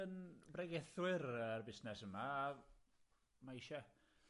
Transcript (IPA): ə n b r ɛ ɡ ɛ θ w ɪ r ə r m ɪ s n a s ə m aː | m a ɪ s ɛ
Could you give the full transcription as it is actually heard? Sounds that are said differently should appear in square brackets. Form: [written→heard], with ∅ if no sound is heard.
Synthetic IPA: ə n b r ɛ ɡ ɛ θ w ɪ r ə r [m→b] ɪ s n [a→ɛ] s ə m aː | m a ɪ [s→ʃ] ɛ

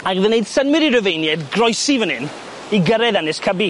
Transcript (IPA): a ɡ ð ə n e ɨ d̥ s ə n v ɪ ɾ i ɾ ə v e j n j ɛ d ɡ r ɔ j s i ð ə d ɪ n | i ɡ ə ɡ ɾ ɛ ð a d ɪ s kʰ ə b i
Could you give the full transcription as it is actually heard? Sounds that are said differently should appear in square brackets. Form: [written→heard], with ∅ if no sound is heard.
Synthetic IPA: a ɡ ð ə n e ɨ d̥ s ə n [v→w] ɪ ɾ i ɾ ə v e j n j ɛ d ɡ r ɔ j s i [ð→v] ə [d→n] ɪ n | i ɡ ə [ɡ→∅] ɾ ɛ ð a [d→n] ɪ s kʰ ə b i

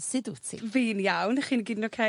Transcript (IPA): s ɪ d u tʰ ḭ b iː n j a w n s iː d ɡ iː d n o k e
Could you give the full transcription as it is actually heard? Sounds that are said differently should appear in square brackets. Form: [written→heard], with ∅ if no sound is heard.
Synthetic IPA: s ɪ d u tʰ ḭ [b→v] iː n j a w n [s→χ] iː [d→n] ɡ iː d n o [k→kʰ] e

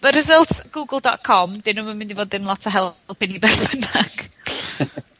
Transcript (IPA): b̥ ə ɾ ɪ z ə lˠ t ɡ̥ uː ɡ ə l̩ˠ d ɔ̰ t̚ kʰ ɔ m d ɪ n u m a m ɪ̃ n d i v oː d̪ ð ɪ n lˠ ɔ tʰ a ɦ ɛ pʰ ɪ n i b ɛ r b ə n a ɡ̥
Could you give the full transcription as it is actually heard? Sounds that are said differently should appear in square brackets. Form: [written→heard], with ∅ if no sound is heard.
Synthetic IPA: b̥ ə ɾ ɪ z ə lˠ t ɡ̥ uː ɡ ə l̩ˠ d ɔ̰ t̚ kʰ ɔ m d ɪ n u m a m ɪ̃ n d i v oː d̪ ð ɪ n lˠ ɔ tʰ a ɦ ɛ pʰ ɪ n i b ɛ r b ə n a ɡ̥

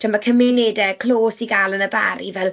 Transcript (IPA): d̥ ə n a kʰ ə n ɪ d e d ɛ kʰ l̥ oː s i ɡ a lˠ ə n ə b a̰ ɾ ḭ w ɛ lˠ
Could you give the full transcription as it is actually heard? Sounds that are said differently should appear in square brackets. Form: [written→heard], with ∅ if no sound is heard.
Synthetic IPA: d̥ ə [n→m] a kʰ ə [n→m] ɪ [d→n] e d ɛ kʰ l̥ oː s i ɡ a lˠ ə n ə b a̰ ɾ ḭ [w→v] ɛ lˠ

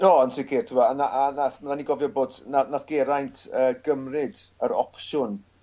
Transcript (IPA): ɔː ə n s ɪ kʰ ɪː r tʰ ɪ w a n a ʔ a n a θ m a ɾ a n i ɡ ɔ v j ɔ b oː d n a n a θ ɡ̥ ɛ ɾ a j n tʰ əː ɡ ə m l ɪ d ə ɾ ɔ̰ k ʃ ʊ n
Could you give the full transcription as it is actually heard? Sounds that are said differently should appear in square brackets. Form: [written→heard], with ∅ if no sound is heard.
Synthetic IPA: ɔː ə n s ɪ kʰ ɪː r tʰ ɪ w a n a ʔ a n a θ m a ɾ a n i ɡ ɔ v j ɔ b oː d n a n a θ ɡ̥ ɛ ɾ a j n tʰ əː ɡ ə m [l→r] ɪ d ə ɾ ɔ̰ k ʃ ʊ n

